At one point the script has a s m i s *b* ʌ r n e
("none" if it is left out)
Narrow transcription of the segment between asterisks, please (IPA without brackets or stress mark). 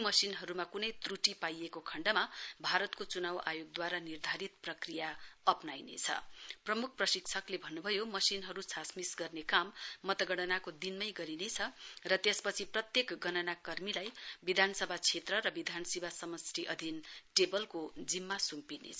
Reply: ɡ